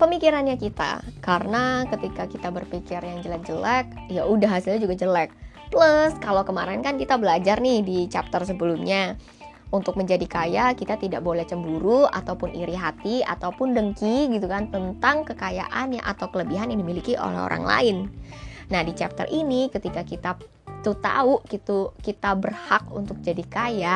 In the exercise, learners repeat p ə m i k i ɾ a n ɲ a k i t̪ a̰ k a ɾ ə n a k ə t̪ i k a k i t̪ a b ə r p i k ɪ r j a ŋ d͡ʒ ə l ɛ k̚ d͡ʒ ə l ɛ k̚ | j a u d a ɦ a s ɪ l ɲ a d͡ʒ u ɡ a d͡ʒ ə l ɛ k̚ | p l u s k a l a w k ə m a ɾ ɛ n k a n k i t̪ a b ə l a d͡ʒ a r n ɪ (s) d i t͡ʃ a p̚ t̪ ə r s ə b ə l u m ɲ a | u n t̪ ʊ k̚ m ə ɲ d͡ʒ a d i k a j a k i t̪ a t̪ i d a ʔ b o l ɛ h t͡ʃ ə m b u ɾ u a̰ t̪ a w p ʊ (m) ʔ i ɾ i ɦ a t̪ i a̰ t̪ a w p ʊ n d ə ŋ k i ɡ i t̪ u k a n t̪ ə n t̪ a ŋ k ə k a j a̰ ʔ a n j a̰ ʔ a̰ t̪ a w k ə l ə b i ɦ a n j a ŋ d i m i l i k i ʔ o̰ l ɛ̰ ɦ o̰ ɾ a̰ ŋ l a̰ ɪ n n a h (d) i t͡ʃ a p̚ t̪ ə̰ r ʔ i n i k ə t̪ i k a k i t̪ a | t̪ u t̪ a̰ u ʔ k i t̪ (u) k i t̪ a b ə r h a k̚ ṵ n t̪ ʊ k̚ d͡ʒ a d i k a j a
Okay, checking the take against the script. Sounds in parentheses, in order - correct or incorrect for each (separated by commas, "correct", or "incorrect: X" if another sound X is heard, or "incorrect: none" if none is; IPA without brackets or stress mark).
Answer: incorrect: h, incorrect: n, correct, correct